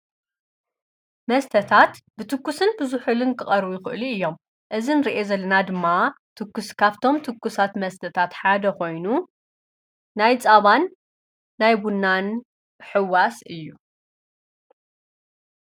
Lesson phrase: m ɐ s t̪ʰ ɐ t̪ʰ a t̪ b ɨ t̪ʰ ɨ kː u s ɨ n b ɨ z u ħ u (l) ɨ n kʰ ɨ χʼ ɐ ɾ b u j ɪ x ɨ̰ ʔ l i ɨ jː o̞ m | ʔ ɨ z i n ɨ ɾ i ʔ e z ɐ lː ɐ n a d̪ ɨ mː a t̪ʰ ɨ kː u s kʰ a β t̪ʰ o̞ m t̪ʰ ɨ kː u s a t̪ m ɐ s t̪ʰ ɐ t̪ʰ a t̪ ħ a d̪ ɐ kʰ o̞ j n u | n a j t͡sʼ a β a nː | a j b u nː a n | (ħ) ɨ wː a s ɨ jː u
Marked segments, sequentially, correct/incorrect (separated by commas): correct, correct